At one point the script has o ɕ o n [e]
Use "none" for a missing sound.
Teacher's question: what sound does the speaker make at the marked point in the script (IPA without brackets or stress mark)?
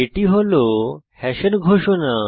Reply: a